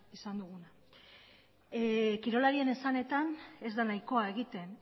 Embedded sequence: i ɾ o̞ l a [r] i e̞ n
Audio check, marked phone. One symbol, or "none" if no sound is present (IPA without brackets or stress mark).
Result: ɾ